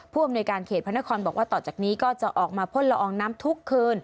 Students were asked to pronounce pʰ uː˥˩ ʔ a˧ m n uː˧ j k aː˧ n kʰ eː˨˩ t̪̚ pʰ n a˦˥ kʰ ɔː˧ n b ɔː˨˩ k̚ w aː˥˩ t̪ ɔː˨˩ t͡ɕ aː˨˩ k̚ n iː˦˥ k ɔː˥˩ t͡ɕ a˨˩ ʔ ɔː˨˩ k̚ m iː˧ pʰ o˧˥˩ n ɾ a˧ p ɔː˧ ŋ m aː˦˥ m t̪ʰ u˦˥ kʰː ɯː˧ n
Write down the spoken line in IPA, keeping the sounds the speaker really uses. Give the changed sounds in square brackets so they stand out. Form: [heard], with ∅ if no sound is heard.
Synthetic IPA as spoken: pʰ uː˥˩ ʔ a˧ m n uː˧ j k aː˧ n kʰ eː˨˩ t̪̚ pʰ n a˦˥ kʰ ɔː˧ n b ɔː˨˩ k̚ w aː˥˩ t̪ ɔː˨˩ t͡ɕ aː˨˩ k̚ n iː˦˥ k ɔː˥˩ t͡ɕ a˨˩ ʔ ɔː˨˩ k̚ m [aː˧] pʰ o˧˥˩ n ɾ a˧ [ʔ] ɔː˧ ŋ [n] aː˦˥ m t̪ʰ u˦˥ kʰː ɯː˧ n

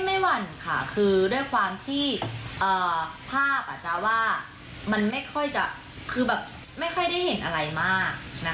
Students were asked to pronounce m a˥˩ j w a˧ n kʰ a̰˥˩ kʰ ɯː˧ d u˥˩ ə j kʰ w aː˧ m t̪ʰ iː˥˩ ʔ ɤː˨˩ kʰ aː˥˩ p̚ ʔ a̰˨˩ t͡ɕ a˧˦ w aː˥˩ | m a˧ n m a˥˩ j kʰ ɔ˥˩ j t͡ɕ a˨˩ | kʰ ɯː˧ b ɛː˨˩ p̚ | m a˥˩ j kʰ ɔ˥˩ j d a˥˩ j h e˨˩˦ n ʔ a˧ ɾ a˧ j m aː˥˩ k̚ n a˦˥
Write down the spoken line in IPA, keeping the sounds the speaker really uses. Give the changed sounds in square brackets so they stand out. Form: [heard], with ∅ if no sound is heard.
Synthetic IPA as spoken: m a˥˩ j w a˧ n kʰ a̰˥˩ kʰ ɯː˧ d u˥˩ ə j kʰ w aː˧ m t̪ʰ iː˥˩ ʔ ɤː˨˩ [pʰ] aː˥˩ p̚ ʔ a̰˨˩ t͡ɕ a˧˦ w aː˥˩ | m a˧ n m a˥˩ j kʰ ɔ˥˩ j t͡ɕ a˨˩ | kʰ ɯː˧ b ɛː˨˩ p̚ | m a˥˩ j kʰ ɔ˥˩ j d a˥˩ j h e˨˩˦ n ʔ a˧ ɾ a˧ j m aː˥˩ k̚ n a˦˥

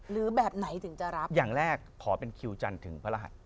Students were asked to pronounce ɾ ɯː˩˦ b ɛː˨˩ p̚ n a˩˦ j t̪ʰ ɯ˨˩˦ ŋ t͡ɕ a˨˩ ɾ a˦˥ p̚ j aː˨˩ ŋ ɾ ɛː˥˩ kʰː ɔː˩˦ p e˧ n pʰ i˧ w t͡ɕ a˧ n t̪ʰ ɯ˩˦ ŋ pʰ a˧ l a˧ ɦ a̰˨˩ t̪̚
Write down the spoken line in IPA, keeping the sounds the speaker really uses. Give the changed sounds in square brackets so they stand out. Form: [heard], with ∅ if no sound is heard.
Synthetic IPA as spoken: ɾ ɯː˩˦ b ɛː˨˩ p̚ n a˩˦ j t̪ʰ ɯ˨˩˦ ŋ t͡ɕ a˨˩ ɾ a˦˥ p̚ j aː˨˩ ŋ ɾ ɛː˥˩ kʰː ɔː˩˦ p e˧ n [kʰ] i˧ w t͡ɕ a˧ n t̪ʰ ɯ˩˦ ŋ pʰ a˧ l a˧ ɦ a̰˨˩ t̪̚

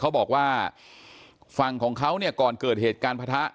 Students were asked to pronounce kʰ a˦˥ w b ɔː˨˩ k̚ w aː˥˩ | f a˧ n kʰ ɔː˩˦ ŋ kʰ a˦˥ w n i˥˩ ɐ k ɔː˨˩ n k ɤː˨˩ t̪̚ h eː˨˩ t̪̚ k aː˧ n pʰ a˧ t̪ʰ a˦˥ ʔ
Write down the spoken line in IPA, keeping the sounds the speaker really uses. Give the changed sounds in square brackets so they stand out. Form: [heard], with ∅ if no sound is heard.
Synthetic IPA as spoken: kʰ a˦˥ w b ɔː˨˩ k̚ w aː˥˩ | f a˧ [ŋ] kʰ ɔː˩˦ ŋ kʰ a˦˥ w n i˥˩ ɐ k ɔː˨˩ n k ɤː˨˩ t̪̚ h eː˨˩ t̪̚ k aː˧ n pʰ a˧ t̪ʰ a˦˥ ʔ

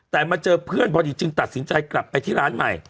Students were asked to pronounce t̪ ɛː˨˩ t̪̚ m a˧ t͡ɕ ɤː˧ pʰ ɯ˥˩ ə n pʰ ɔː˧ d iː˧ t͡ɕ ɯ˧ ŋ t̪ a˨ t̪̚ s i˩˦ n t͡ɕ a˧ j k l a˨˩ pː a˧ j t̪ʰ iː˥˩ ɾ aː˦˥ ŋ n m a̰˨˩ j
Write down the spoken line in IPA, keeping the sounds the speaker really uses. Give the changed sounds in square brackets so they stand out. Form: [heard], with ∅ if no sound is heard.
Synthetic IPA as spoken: t̪ ɛː˨˩ [∅] m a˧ t͡ɕ ɤː˧ pʰ ɯ˥˩ ə n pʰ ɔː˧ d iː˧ t͡ɕ ɯ˧ ŋ t̪ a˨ t̪̚ s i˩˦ n t͡ɕ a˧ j k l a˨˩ pː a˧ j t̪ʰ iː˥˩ ɾ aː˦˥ [∅] n m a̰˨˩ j

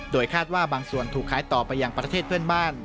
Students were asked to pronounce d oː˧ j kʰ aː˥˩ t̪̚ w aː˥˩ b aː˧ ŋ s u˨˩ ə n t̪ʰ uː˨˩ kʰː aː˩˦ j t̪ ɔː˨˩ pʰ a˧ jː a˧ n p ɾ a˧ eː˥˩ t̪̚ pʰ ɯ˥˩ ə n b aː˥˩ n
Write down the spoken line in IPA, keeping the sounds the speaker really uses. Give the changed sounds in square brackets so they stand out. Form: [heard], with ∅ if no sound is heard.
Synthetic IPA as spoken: d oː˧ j kʰ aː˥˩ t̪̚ w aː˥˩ b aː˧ ŋ s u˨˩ ə n t̪ʰ uː˨˩ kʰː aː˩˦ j t̪ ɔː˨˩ [p] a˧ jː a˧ [ŋ] p ɾ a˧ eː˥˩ t̪̚ pʰ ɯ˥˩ ə n b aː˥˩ n

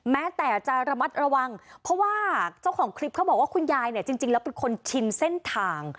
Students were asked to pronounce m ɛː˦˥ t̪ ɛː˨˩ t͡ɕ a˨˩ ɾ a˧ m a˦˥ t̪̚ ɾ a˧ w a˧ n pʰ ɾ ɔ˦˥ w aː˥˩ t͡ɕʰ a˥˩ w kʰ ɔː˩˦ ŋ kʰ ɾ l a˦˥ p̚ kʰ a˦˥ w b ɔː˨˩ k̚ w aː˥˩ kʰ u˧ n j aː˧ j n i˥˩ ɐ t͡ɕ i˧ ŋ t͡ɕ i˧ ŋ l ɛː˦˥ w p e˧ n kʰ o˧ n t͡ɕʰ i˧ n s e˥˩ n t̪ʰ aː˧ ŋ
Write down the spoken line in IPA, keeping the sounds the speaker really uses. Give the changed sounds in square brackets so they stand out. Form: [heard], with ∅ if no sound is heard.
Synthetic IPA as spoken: m ɛː˦˥ t̪ ɛː˨˩ t͡ɕ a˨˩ ɾ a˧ m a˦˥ t̪̚ ɾ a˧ w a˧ [ŋ] pʰ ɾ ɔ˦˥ w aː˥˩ [t͡ɕ] a˥˩ w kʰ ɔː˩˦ ŋ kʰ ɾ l [i˦˥] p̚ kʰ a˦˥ w b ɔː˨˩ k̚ w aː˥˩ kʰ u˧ n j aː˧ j n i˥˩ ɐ t͡ɕ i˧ ŋ t͡ɕ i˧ ŋ l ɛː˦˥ w p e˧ n kʰ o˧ n t͡ɕʰ i˧ n s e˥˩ n t̪ʰ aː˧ ŋ

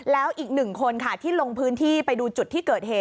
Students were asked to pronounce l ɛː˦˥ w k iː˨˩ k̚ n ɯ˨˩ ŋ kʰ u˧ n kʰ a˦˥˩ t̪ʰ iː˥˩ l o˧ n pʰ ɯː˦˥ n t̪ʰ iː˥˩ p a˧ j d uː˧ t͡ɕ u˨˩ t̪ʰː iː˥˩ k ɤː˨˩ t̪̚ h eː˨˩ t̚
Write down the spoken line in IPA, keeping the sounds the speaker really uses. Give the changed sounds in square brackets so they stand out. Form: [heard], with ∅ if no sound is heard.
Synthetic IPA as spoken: l ɛː˦˥ w [ʔ] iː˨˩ k̚ n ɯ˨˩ ŋ kʰ [o˧] n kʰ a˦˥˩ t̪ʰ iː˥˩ l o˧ [ŋ] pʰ ɯː˦˥ n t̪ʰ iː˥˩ p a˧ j d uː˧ t͡ɕ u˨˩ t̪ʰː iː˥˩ k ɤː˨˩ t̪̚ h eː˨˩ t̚

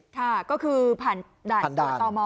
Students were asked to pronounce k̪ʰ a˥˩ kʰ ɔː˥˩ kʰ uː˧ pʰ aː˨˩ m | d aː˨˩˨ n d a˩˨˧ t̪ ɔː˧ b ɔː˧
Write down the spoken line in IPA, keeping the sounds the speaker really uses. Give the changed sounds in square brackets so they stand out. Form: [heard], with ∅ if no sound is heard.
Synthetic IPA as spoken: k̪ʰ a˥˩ [k] ɔː˥˩ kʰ [ɯː˧] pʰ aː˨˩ [n] | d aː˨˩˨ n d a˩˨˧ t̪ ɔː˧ [m] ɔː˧

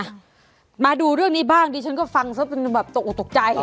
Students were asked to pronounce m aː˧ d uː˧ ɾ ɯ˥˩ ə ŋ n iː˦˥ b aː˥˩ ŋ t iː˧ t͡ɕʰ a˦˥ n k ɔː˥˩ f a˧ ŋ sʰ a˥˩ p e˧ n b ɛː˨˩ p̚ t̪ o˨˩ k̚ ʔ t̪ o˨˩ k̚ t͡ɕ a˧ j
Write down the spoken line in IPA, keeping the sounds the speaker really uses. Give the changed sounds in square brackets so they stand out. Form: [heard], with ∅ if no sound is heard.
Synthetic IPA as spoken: m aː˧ d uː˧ ɾ ɯ˥˩ ə ŋ n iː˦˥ b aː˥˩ ŋ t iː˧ t͡ɕʰ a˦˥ n k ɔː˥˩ f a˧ ŋ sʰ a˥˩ p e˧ n b ɛː˨˩ p̚ t̪ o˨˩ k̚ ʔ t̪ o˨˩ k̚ t͡ɕ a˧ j

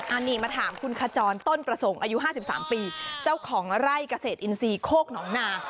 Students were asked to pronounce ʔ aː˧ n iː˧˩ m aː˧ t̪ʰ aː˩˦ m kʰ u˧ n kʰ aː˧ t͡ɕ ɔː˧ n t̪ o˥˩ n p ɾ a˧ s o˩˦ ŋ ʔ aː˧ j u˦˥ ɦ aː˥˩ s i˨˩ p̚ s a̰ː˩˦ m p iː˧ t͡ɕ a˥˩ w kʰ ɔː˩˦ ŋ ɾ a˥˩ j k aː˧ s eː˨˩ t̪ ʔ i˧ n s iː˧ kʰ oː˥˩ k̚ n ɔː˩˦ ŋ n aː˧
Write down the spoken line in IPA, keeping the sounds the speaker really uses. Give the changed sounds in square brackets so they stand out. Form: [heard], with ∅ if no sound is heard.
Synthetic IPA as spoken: ʔ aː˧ n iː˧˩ m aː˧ t̪ʰ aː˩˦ m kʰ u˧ n kʰ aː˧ t͡ɕ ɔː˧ n t̪ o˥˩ n p ɾ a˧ s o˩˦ ŋ ʔ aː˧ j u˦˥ ɦ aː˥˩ s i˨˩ p̚ s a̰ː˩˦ m p iː˧ t͡ɕ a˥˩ w kʰ ɔː˩˦ ŋ ɾ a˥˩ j k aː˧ s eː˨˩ t̪ ʔ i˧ n s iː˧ kʰ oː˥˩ k̚ n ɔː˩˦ ŋ n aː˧

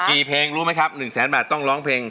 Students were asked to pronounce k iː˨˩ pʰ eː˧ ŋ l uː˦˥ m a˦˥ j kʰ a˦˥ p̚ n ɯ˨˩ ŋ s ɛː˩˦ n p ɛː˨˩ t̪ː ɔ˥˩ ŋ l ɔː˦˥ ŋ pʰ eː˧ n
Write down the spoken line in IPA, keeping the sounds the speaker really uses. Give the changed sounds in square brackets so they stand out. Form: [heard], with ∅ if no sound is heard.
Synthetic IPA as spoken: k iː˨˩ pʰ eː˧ ŋ [ɾ] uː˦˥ m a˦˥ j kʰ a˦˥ p̚ n ɯ˨˩ ŋ s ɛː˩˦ n [b] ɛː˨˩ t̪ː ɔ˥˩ ŋ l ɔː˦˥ ŋ pʰ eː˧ [ŋ]

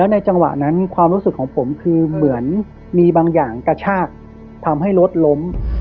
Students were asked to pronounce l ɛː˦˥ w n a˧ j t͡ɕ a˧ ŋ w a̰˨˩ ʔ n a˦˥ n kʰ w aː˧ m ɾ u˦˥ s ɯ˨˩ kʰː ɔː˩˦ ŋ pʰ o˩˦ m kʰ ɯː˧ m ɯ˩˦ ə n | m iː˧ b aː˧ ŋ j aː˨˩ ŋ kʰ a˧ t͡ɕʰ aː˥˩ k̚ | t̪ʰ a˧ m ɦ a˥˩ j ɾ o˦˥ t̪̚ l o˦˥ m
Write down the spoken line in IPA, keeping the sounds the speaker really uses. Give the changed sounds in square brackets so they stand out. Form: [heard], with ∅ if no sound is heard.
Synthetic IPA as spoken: l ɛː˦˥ w n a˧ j t͡ɕ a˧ ŋ w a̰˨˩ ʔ n a˦˥ n kʰ w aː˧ m ɾ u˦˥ s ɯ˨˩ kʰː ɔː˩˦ ŋ pʰ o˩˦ m kʰ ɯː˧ m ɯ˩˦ ə n | m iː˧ b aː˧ ŋ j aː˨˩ ŋ [k] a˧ t͡ɕʰ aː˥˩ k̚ | t̪ʰ a˧ m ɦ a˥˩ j ɾ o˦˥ t̪̚ l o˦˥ m

